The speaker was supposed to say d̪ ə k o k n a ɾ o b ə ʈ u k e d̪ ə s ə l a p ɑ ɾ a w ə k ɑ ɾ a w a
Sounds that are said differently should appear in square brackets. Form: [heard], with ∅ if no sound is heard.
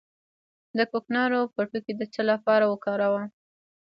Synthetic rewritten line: d̪ ə k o k n [ɑ] ɾ o [p] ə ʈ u k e d̪ ə [t͡s] ə l a p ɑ ɾ a w ə k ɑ ɾ a w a